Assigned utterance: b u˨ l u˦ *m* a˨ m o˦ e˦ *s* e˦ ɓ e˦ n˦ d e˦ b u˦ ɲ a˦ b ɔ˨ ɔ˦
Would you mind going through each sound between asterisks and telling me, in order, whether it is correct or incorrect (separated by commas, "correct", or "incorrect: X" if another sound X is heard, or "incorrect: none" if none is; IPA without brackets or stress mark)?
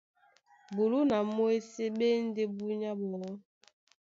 incorrect: n, correct